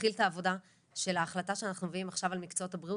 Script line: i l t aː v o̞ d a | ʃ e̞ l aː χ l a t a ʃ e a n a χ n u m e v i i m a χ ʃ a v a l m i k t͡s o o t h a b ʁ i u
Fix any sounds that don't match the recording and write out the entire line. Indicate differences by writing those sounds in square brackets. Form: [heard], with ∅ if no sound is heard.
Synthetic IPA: i l t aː v o̞ d a | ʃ e̞ l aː χ l a t a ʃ e a n a χ n u m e v i i m a χ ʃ a v a l m i k t͡s o o t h a b ʁ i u